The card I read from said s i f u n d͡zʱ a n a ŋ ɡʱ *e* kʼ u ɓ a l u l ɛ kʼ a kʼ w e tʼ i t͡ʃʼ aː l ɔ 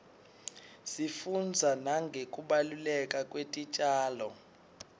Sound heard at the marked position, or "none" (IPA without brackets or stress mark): e